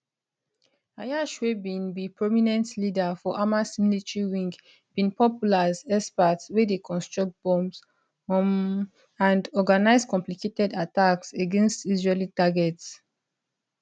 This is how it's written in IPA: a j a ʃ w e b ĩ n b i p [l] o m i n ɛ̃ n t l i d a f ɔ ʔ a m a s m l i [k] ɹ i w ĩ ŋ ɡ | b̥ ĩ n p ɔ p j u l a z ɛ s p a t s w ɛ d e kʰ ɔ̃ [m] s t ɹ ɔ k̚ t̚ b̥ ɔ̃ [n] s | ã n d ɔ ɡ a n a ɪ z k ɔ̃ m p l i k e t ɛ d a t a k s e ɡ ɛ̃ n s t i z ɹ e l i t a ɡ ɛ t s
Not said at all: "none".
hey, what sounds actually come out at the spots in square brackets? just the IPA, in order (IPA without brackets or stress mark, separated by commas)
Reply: ɹ, t, n, m